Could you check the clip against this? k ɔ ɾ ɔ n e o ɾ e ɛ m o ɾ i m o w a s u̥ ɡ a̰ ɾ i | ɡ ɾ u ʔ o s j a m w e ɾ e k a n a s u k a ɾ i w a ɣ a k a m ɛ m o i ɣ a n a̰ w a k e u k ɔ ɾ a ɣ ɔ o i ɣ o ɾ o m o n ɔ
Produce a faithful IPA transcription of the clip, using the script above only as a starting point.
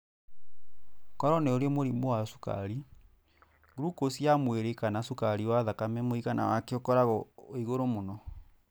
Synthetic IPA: k ɔ ɾ ɔ n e o ɾ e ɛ m o ɾ i m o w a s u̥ k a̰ ɾ i | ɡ ɾ u k o s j a m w e ɾ e k a n a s u k a ɾ i w a ð a k a m ɛ m o i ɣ a n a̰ w a k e o k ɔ ɾ a ɣ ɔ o i ɣ o ɾ o m o n ɔ